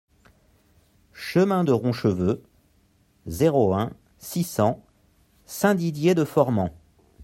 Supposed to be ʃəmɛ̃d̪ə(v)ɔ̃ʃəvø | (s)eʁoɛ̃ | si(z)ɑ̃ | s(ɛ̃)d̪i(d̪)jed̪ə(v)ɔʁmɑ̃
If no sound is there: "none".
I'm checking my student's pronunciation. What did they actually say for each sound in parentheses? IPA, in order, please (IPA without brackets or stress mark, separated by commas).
ʁ, z, s, ɛ̃, d̪, f